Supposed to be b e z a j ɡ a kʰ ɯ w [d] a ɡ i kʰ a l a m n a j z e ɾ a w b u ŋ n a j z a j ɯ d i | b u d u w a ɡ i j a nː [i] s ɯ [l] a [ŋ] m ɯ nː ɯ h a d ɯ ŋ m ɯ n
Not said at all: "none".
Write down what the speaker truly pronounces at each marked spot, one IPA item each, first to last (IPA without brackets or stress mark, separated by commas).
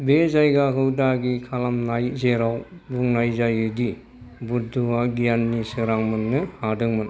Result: d, i, ɾ, ŋ